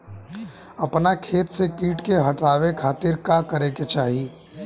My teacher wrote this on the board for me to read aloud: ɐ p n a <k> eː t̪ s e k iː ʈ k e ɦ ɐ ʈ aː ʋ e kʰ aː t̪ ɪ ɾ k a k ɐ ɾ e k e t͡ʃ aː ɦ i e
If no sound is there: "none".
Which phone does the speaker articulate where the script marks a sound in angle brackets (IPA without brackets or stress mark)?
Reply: kʰ